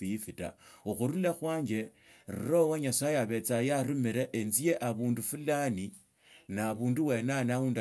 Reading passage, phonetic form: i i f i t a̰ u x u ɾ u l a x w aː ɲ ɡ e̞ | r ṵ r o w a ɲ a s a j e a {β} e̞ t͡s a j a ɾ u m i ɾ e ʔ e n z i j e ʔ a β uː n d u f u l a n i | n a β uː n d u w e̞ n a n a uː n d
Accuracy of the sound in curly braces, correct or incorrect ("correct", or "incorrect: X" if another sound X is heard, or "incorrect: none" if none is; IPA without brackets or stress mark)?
correct